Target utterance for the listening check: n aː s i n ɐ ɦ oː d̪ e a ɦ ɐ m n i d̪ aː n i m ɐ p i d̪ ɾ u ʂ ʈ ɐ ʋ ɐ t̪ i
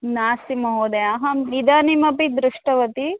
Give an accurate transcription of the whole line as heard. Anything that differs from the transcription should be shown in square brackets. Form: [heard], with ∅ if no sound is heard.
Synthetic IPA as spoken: n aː s i [m] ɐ ɦ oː d̪ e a ɦ ɐ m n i d̪ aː n i m ɐ p i d̪ ɾ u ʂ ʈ ɐ ʋ ɐ t̪ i

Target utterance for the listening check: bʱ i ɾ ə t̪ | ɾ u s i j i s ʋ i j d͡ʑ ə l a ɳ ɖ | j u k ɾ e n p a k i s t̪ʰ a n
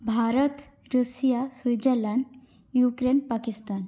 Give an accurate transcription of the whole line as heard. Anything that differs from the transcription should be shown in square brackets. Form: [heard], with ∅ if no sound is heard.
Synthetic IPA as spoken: bʱ [a] ɾ ə t̪ | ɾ u s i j [a] s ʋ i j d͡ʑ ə l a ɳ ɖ | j u k ɾ e n p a k i s [t̪] a n

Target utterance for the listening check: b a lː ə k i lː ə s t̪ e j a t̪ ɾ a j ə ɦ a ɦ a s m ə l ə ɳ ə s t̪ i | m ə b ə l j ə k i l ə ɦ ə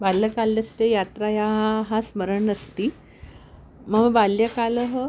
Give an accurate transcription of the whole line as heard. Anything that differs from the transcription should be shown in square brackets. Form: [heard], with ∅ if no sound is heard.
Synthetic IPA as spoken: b a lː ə k [a] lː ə s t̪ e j a t̪ ɾ a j [a] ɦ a ɦ a s m ə [ɾ] ə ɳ ə s t̪ i | m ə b [a] l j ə k [a] l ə ɦ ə

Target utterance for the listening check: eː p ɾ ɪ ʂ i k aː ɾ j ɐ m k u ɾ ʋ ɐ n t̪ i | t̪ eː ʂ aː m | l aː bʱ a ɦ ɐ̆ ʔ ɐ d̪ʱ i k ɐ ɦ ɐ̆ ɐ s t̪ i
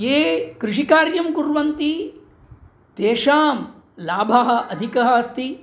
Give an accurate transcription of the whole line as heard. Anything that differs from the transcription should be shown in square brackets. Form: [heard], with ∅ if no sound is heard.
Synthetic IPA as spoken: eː [k] ɾ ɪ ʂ i k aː ɾ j ɐ m k u ɾ ʋ ɐ n t̪ i | t̪ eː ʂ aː m | l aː bʱ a ɦ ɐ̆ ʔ ɐ d̪ʱ i k ɐ ɦ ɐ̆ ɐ s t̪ i

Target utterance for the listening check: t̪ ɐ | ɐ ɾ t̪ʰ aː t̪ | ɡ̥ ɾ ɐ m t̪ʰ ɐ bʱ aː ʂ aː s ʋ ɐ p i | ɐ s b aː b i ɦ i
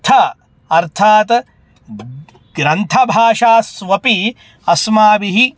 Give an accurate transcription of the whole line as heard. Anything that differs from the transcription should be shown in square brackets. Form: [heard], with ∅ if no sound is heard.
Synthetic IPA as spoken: [t̪ʰ] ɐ | ɐ ɾ t̪ʰ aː t̪ | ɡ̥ ɾ ɐ [n] t̪ʰ ɐ bʱ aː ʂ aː s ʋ ɐ p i | ɐ s [m] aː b i ɦ i

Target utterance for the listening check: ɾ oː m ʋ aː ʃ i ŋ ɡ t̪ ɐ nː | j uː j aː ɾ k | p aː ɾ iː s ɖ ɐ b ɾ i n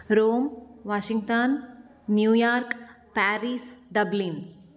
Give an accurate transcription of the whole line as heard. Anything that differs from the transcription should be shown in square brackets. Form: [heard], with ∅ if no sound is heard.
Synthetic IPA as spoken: ɾ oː m ʋ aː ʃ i ŋ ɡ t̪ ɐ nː | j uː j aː ɾ k | p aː ɾ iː s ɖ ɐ b [l] i n

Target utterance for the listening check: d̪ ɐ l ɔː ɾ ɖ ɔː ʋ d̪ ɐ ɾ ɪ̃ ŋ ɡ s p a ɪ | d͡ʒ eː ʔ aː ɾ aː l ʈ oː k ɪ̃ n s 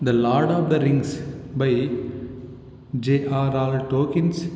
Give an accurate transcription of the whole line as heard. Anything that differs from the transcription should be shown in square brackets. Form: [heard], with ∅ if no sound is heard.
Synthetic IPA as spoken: d̪ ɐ l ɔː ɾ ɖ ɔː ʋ d̪ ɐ ɾ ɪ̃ ŋ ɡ s [b] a ɪ | d͡ʒ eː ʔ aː ɾ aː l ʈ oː k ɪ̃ n s

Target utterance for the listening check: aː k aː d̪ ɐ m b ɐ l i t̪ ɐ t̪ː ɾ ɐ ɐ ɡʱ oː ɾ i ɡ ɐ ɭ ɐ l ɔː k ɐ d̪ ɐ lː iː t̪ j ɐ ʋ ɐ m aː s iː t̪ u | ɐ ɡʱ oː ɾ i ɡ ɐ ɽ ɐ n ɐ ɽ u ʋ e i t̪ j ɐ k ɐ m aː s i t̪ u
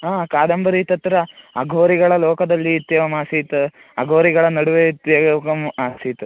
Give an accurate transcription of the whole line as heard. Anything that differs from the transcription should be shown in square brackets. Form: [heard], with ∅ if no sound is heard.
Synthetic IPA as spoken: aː k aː d̪ ɐ m b ɐ [ɾ] i t̪ ɐ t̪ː ɾ ɐ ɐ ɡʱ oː ɾ i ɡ ɐ ɭ ɐ l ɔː k ɐ d̪ ɐ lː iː t̪ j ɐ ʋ ɐ m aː s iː t̪ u | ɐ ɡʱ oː ɾ i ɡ ɐ [ɭ] ɐ n ɐ ɽ u ʋ e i t̪ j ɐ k ɐ m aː s i t̪ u

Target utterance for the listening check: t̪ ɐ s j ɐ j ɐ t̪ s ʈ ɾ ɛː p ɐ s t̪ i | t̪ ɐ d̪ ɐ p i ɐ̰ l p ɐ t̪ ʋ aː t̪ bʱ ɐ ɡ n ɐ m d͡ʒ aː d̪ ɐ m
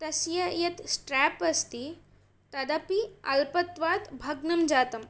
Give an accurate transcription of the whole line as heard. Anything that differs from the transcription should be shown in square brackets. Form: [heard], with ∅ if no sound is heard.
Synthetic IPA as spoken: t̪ ɐ s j ɐ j ɐ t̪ s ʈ ɾ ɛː p ɐ s t̪ i | t̪ ɐ d̪ ɐ p i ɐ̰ l p ɐ t̪ ʋ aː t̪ bʱ ɐ ɡ n ɐ m d͡ʒ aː [t̪] ɐ m

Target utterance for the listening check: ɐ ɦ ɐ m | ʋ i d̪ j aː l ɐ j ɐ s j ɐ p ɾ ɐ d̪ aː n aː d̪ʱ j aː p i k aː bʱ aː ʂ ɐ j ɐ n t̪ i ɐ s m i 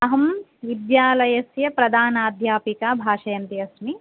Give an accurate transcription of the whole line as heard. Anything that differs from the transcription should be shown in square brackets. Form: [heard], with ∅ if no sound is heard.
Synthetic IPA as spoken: ɐ ɦ ɐ m | ʋ i d̪ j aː l ɐ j ɐ s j ɐ p ɾ ɐ d̪ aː n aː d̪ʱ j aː p i k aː bʱ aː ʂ ɐ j ɐ n t̪ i ɐ s m i

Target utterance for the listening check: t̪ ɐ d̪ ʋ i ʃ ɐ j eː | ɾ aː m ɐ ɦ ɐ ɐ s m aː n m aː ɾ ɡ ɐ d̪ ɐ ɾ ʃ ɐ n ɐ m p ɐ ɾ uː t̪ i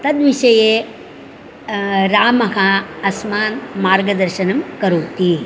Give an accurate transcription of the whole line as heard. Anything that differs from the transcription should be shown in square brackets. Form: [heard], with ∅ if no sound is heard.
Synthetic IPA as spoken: t̪ ɐ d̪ ʋ i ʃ ɐ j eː | ɾ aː m ɐ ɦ ɐ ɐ s m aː n m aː ɾ ɡ ɐ d̪ ɐ ɾ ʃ ɐ n ɐ m [k] ɐ ɾ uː t̪ i

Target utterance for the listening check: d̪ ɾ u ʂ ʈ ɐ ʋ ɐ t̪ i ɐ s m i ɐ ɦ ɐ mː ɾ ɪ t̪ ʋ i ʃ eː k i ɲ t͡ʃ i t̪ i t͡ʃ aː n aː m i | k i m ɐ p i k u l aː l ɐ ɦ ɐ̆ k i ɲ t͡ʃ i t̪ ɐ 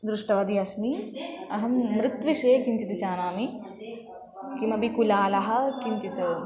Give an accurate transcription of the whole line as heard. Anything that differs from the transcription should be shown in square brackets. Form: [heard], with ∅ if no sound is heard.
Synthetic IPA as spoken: d̪ ɾ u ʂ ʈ ɐ ʋ ɐ [d̪] i ɐ s m i ɐ ɦ ɐ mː ɾ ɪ t̪ ʋ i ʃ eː k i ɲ t͡ʃ i t̪ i t͡ʃ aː n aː m i | k i m ɐ [b] i k u l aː l ɐ ɦ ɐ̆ k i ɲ t͡ʃ i t̪ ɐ

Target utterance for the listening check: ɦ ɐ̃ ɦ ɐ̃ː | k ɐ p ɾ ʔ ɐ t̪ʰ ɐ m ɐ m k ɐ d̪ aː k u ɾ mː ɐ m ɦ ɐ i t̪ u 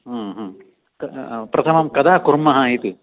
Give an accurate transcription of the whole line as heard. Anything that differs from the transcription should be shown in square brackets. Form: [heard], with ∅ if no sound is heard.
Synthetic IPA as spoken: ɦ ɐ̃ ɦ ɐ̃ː | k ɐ p ɾ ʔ ɐ t̪ʰ ɐ m ɐ m k ɐ d̪ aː k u ɾ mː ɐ [∅] ɦ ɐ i t̪ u

